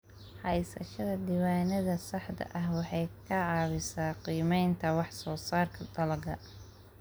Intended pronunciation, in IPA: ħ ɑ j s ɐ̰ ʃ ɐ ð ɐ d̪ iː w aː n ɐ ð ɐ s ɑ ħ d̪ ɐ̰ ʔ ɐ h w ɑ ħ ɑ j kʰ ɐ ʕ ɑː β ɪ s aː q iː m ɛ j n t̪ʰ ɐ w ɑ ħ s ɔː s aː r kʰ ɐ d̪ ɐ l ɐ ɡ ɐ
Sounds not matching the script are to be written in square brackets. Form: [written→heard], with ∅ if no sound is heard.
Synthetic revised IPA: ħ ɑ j s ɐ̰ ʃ ɐ ð ɐ d̪ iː w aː n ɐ ð ɐ s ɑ ħ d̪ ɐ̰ ʔ ɐ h w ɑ ħ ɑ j kʰ ɐ ʕ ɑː β ɪ s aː q iː m ɛ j n t̪ʰ ɐ w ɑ ħ s ɔː s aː r kʰ ɐ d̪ ɐ l ɐ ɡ ɐ